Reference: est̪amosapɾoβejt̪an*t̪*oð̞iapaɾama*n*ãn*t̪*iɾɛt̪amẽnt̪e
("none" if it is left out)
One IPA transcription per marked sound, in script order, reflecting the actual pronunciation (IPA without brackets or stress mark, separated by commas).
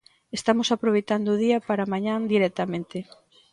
d̪, ɲ, d̪